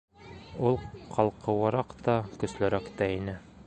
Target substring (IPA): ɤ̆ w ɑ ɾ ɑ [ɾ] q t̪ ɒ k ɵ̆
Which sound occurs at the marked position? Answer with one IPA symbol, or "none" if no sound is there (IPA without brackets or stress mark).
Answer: none